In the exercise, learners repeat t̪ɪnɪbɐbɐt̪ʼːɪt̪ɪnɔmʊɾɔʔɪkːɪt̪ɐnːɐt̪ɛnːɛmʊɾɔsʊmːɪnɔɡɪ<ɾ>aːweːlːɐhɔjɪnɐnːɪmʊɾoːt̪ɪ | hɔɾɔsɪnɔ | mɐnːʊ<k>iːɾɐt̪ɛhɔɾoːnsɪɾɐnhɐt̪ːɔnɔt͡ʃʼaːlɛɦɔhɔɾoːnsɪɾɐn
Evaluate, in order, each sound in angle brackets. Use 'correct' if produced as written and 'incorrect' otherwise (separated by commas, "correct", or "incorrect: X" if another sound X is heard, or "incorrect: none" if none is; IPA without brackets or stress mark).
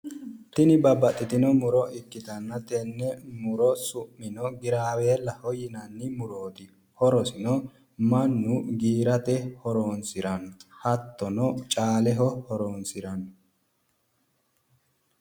correct, incorrect: ɡ